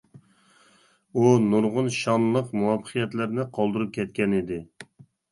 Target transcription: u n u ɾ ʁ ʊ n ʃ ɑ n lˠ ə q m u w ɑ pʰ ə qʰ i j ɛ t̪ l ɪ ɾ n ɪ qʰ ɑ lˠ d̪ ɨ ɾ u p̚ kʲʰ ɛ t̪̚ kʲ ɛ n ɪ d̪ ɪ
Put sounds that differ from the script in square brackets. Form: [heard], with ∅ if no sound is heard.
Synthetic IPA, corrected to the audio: u n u ɾ ʁ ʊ n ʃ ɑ n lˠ ə q m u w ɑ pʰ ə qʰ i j ɛ t̪ l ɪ ɾ n ɪ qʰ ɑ lˠ d̪ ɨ ɾ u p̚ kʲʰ ɛ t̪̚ kʲ ɛ n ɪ d̪ ɪ